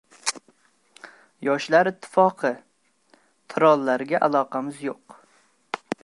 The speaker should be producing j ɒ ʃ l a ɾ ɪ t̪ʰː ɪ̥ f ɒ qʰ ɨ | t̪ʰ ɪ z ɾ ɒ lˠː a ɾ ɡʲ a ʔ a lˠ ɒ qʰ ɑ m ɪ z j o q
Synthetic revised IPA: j ɒ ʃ l a ɾ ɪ t̪ʰː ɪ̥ f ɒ qʰ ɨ | t̪ʰ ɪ ɾ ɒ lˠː a ɾ ɡʲ a ʔ a lˠ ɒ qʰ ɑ m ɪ z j o q